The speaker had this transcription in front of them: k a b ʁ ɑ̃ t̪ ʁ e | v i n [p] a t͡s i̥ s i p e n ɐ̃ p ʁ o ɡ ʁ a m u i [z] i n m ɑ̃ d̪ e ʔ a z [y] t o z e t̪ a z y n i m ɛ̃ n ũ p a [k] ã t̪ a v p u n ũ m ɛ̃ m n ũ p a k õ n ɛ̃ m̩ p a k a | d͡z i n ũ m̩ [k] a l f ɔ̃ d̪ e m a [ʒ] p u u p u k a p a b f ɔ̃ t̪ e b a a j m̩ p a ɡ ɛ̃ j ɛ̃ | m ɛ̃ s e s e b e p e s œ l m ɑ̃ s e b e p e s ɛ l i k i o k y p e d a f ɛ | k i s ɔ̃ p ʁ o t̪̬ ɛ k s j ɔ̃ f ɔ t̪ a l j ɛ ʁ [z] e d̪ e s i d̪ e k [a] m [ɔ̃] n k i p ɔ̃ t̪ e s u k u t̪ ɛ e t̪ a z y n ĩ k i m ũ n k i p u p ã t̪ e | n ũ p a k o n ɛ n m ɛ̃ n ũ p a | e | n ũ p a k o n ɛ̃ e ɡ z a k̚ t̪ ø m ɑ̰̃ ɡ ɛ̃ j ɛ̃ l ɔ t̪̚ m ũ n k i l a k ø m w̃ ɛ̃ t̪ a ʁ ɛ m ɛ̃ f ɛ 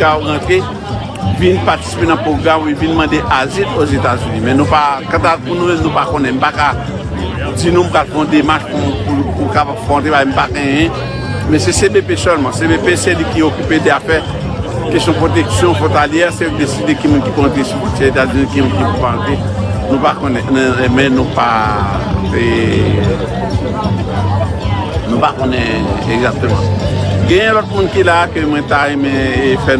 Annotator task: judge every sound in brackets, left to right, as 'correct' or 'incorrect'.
correct, incorrect, incorrect, correct, incorrect, incorrect, incorrect, incorrect, incorrect

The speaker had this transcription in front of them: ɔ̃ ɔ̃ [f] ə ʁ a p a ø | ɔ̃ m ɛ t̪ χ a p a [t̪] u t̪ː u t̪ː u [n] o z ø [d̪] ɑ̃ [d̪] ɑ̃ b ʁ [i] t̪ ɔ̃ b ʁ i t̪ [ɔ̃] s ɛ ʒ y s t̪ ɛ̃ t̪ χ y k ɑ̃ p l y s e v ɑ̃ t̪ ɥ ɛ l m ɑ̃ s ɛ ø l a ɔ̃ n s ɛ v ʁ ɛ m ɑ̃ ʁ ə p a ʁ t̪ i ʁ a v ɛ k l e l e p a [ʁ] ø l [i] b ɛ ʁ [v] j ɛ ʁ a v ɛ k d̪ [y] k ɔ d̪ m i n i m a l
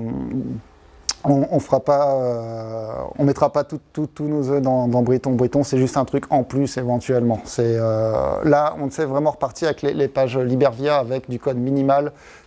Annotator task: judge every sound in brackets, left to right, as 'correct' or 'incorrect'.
correct, correct, correct, correct, correct, correct, correct, incorrect, correct, correct, correct

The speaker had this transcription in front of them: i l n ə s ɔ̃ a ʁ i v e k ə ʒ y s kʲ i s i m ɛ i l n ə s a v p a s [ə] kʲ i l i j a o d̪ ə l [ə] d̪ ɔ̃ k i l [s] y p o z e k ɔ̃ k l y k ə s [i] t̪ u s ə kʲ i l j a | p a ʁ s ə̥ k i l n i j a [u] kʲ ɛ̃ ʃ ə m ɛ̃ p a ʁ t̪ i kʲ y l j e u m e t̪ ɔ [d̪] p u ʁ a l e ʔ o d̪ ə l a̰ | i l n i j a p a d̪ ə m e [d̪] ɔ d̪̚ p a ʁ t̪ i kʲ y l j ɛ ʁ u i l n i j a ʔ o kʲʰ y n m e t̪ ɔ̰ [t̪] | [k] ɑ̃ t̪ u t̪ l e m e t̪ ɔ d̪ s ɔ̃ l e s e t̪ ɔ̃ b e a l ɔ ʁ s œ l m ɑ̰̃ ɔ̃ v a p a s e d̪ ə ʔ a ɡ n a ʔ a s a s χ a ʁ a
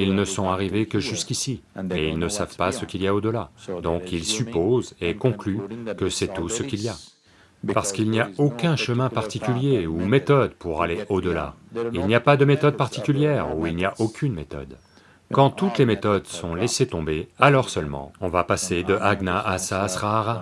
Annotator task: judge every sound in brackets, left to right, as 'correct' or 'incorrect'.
correct, incorrect, correct, incorrect, incorrect, correct, incorrect, incorrect, correct

